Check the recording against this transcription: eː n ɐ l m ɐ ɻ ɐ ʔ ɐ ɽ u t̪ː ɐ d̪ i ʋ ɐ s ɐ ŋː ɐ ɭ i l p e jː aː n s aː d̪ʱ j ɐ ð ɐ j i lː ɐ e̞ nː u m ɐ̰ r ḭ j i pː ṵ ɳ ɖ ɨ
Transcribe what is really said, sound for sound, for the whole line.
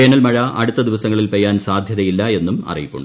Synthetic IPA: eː n ɐ l m ɐ ɻ ɐ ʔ ɐ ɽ u t̪ː ɐ d̪ i ʋ ɐ s ɐ ŋː ɐ ɭ i l p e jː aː n s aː d̪ʱ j ɐ ð ɐ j i lː ɐ e̞ nː u m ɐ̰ r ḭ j i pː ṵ ɳ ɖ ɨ